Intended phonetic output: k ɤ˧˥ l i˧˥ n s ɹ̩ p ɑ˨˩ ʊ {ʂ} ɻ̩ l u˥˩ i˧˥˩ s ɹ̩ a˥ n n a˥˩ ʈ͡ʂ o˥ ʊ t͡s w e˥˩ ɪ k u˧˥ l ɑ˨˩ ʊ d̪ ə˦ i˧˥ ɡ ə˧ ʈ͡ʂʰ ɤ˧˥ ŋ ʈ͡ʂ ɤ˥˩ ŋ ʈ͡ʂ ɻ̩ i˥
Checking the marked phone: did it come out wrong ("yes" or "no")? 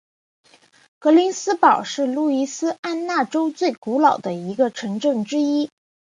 no